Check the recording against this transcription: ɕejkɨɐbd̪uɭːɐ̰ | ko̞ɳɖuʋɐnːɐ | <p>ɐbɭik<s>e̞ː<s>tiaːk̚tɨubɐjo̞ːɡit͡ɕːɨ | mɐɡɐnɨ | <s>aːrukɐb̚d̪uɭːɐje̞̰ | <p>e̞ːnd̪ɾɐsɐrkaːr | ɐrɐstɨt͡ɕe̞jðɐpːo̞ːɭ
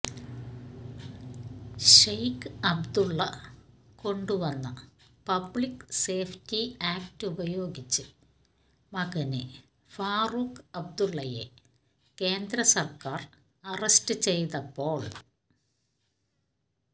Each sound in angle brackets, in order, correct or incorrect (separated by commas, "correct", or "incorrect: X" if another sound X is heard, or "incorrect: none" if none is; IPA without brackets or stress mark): correct, correct, incorrect: f, incorrect: f, incorrect: k